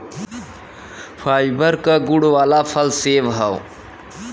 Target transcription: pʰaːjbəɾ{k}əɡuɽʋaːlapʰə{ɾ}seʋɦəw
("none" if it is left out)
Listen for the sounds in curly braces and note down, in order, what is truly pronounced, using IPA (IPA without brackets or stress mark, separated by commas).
k, l